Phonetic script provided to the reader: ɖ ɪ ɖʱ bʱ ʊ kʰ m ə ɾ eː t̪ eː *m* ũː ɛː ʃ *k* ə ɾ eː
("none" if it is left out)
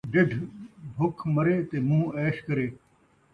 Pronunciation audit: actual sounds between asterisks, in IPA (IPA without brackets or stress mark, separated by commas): m, k